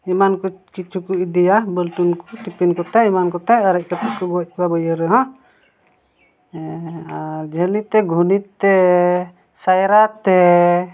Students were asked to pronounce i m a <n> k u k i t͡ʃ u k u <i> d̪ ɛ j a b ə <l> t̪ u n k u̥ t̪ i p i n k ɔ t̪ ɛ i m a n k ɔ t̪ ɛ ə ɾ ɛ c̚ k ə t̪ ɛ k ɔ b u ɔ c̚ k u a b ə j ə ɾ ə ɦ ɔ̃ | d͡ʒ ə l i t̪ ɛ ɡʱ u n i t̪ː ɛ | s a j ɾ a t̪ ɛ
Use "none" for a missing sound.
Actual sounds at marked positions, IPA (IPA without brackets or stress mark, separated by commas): n, i, l